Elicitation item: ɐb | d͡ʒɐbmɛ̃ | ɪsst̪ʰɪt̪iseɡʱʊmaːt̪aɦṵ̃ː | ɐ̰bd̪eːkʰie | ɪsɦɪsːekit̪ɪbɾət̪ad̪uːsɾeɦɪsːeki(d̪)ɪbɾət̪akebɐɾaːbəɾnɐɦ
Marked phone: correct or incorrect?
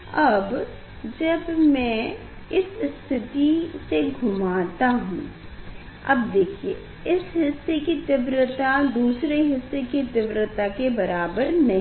incorrect